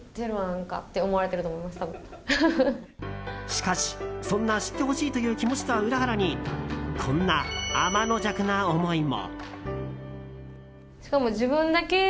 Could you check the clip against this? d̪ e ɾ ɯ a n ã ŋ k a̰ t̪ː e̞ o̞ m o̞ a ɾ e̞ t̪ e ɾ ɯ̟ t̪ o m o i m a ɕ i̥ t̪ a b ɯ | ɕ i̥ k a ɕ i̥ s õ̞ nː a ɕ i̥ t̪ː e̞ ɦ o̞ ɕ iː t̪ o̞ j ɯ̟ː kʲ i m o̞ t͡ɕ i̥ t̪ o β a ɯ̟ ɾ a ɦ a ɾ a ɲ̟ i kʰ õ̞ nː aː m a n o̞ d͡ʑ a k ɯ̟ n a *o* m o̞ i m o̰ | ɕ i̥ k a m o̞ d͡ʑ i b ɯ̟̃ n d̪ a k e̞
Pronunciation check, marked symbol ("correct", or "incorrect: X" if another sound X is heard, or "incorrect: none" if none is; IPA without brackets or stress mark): correct